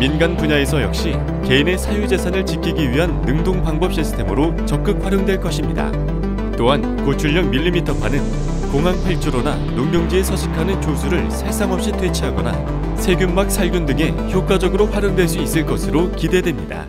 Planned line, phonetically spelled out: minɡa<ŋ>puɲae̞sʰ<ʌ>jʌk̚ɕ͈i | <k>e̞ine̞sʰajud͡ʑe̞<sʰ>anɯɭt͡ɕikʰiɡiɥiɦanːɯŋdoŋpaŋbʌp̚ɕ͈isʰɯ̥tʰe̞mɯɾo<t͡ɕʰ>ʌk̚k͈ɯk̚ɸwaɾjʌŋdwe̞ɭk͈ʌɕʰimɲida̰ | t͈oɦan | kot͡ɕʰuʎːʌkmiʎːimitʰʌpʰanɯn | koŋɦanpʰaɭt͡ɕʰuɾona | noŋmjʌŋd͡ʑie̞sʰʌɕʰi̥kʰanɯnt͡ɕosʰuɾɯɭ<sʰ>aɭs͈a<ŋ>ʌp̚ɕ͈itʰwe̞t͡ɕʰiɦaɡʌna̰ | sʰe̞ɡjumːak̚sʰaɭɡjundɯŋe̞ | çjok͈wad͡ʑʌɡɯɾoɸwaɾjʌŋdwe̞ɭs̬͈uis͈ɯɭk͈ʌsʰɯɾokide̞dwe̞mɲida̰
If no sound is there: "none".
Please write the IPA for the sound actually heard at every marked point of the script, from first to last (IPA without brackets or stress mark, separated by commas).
n, ʌ, k, sʰ, t͡ɕ, sʰ, ŋ